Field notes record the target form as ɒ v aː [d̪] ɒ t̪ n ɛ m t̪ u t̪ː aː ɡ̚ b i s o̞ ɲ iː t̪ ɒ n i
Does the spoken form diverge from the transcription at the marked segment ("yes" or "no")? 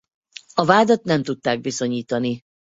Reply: no